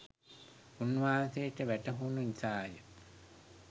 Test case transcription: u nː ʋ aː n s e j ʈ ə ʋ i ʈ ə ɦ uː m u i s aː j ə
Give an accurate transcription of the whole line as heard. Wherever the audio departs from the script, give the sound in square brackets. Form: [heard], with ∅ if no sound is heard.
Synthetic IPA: u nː ʋ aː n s e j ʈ ə ʋ [æ] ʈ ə ɦ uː [n] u i s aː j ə